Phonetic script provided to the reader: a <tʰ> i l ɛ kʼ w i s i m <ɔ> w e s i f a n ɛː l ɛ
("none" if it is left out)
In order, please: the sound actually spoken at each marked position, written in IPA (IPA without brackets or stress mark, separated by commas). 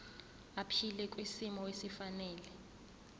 pʰ, ɔ